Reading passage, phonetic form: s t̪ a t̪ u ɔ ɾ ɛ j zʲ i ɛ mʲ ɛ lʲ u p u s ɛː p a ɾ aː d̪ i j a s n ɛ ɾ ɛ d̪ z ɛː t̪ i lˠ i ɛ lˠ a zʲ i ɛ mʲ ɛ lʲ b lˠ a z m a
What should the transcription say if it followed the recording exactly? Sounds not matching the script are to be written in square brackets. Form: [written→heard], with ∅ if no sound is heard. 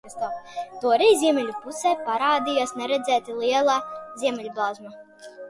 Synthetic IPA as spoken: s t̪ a t̪ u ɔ ɾ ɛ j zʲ i ɛ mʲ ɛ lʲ u p u s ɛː p a ɾ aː d̪ i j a s n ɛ ɾ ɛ d̪ z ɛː t̪ i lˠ i ɛ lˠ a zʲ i ɛ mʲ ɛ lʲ b lˠ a z m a

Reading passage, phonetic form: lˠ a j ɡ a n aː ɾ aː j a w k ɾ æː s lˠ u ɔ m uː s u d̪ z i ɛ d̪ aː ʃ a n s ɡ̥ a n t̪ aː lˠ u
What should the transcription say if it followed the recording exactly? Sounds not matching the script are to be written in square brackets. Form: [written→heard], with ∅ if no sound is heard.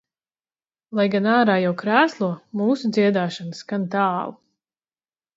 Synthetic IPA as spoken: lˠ a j ɡ a n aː ɾ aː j a w k ɾ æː s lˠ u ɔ m uː s u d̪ z i ɛ d̪ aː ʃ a n s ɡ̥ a n t̪ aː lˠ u

